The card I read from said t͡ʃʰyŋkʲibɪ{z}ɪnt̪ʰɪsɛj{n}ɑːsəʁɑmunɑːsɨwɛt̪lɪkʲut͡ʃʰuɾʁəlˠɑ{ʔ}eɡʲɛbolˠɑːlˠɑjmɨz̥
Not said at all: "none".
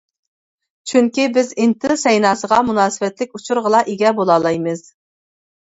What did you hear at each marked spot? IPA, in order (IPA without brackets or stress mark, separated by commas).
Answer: z, n, ʔ